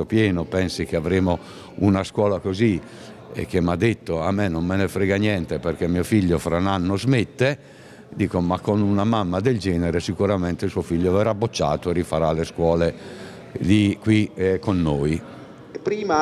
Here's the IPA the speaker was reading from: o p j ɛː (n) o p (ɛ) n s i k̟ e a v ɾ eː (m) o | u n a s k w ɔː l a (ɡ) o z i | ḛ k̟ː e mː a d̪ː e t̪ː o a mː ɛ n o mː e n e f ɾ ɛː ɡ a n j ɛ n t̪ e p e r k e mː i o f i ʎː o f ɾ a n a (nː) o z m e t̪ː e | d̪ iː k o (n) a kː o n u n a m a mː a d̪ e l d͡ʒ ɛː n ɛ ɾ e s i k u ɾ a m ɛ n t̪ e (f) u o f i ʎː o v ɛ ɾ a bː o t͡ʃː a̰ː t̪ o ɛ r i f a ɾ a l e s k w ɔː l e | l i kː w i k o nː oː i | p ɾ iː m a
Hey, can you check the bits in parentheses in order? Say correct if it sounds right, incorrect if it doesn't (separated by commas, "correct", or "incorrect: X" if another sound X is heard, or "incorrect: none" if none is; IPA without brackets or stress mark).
correct, correct, correct, incorrect: k, correct, incorrect: m, incorrect: s